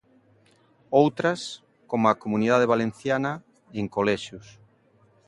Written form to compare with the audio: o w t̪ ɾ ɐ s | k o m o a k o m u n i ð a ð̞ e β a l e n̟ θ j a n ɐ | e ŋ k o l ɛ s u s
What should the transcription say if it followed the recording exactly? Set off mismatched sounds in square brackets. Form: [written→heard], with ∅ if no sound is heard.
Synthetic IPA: o w t̪ ɾ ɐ s | k o m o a k o m u n i ð a ð̞ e β a l e n̟ θ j a n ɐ | e ŋ k o l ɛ [s→ʃ] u s